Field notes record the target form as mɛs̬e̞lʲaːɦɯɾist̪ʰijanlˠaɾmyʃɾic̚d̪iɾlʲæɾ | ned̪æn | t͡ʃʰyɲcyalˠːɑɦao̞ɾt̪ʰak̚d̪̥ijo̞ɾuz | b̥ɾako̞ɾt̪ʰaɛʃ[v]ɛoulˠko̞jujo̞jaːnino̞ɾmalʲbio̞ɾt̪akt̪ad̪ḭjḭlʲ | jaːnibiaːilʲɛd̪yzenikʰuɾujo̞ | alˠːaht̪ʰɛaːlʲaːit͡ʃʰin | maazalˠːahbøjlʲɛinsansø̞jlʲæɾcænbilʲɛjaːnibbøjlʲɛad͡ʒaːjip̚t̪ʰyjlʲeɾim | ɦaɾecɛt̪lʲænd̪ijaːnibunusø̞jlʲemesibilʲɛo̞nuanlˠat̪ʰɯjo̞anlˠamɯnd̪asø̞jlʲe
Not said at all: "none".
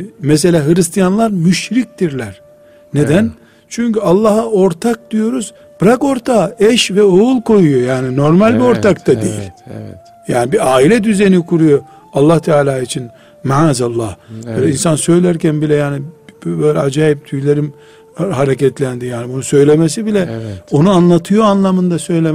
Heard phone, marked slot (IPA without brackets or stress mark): v